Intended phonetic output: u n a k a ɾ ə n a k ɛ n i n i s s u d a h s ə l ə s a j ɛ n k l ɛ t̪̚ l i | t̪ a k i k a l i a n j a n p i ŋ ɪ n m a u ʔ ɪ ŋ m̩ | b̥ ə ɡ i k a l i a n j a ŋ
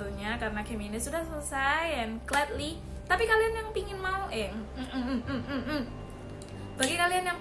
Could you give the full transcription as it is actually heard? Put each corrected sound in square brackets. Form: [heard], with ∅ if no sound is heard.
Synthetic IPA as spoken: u [ɲ] a k a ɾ ə n a k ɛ [m] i n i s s u d a h s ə l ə s a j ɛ n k l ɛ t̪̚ l i | t̪ a [p] i k a l i a n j a [ŋ] p i ŋ ɪ n m a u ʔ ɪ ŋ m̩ | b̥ [a] ɡ i k a l i a n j a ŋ